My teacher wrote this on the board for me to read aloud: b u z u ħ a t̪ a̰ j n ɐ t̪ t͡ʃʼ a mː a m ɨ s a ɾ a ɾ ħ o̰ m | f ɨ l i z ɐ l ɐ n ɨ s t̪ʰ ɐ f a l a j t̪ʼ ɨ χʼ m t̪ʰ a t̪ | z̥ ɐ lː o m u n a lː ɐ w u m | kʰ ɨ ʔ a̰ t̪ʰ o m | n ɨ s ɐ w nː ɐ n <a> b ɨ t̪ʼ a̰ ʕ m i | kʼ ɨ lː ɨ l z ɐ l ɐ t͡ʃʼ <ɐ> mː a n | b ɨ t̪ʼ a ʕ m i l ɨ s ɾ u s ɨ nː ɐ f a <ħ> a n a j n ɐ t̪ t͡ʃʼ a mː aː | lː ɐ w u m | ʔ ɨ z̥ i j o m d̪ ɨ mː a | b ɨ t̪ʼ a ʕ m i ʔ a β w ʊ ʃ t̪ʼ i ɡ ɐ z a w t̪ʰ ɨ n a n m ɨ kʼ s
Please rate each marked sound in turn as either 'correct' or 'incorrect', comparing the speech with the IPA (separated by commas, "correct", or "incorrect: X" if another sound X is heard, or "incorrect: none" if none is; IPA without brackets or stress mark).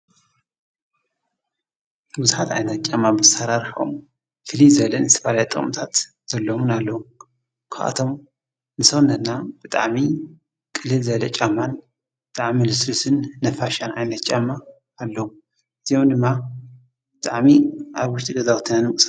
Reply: correct, incorrect: a, incorrect: ʃ